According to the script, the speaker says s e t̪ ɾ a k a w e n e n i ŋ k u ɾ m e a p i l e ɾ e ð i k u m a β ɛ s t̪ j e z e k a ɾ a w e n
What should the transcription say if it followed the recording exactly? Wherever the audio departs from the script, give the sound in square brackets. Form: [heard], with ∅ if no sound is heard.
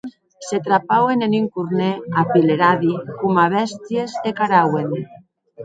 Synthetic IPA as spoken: s e t̪ ɾ a [p] a w e n e n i ŋ k u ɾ [n] e a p i l e ɾ [a] ð i k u m a β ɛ s t̪ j e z e k a ɾ a w e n